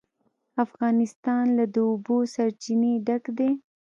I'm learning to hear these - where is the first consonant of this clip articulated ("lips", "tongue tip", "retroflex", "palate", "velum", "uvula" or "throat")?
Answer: lips